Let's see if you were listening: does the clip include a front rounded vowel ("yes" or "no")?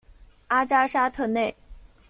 no